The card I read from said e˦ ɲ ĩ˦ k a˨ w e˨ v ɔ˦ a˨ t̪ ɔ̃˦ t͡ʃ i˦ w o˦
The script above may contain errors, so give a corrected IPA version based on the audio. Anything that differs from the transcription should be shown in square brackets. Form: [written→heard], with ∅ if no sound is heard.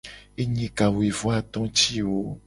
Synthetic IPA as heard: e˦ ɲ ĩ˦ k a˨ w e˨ v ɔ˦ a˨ t̪ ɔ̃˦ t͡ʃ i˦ w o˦